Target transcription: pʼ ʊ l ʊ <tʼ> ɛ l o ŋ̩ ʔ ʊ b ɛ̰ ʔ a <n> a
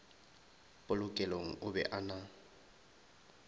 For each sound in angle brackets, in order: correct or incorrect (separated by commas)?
incorrect, correct